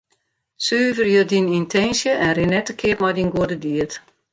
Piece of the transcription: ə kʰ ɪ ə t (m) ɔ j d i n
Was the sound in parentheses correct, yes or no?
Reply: yes